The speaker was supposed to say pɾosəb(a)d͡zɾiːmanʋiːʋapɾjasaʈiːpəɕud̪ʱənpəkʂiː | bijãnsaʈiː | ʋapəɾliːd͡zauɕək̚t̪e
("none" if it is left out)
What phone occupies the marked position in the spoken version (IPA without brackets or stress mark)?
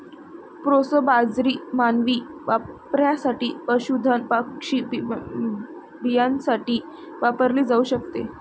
a